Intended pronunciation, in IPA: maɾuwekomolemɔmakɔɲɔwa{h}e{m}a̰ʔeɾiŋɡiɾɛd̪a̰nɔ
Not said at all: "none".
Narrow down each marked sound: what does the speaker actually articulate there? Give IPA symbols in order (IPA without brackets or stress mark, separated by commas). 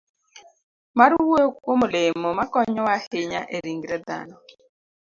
h, ɲ